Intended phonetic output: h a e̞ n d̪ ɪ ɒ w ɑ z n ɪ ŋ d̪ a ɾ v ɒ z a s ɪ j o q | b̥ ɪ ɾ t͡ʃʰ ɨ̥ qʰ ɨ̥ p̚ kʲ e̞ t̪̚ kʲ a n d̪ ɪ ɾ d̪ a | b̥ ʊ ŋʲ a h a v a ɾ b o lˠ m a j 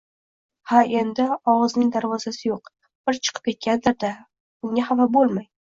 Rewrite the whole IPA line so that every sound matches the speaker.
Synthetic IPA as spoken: h a e̞ n d̪ ɪ ɒ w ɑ z n ɪ ŋ d̪ a ɾ v ɒ z a s ɪ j o q | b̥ ɪ ɾ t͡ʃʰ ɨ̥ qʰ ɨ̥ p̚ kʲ e̞ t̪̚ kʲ a n d̪ ɪ ɾ d̪ a | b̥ ʊ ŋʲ a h a v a b o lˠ m a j